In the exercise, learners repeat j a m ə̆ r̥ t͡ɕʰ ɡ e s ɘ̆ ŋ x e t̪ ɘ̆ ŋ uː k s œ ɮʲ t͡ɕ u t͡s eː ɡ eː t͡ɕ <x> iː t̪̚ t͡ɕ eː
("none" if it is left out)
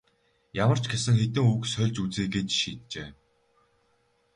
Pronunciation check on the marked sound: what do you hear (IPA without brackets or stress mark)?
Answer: ʃ